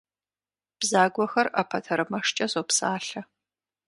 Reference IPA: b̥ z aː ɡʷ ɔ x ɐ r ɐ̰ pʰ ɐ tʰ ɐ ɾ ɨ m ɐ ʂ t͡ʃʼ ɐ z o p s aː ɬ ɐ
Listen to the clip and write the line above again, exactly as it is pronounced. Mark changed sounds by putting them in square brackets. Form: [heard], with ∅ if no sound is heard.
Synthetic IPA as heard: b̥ z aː ɡʷ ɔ x ɐ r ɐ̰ pʰ ɐ tʰ ɐ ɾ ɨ m ɐ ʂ t͡ʃʼ ɐ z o p s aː ɬ ɐ